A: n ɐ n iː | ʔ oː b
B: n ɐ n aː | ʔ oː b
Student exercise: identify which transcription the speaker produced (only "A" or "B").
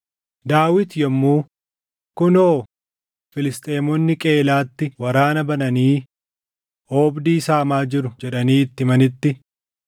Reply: A